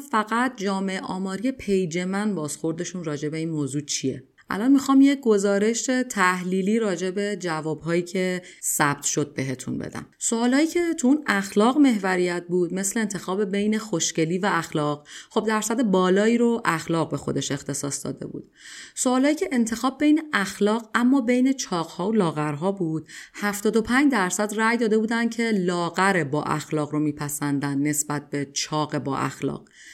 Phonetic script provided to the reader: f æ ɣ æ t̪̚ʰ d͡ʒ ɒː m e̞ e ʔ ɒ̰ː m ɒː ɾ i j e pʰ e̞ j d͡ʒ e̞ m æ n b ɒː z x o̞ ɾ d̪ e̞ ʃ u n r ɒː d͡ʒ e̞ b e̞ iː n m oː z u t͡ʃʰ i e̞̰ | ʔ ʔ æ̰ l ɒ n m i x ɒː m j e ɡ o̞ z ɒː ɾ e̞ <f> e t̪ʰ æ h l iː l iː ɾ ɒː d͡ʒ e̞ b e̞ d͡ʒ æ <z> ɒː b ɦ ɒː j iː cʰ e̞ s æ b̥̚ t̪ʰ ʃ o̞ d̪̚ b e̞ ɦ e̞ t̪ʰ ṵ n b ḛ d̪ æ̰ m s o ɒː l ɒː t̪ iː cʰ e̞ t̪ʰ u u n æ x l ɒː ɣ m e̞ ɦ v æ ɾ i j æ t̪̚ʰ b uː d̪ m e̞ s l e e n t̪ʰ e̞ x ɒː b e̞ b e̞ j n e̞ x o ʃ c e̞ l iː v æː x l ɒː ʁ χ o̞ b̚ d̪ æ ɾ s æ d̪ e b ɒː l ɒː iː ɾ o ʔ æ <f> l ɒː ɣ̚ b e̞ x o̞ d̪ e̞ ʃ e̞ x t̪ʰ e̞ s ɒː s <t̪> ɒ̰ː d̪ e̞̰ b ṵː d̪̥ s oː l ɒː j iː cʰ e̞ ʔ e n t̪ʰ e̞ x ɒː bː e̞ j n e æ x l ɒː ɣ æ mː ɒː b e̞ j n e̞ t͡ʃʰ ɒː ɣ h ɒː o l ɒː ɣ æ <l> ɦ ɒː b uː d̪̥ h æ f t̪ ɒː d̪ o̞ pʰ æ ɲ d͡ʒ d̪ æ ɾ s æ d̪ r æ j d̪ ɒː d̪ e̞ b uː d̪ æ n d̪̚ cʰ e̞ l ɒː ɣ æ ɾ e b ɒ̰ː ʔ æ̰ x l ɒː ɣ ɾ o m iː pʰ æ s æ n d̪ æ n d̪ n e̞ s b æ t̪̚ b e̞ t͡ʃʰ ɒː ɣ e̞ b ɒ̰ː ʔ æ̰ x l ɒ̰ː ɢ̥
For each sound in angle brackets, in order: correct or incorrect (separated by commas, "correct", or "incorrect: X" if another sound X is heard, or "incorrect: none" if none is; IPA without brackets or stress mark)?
incorrect: ʃ, incorrect: v, incorrect: x, incorrect: d̪, incorrect: ɾ